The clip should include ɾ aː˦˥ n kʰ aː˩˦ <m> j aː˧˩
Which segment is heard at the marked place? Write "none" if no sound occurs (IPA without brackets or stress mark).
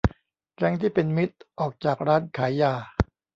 none